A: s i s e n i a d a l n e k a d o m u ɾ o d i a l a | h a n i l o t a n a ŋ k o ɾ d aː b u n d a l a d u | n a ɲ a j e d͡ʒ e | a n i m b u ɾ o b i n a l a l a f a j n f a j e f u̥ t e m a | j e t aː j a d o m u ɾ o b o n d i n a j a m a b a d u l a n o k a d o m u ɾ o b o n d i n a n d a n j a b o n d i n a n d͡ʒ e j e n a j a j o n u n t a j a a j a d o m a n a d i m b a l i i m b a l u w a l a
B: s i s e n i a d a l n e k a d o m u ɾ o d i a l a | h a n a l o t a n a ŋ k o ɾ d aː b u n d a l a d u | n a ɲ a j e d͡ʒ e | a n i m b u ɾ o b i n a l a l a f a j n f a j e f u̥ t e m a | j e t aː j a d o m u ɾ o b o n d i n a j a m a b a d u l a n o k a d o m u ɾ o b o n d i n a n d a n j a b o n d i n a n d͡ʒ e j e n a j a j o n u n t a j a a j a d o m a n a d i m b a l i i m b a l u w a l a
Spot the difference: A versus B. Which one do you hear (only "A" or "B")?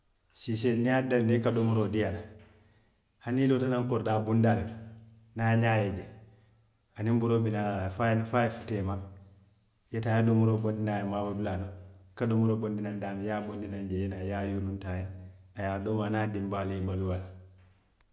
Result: A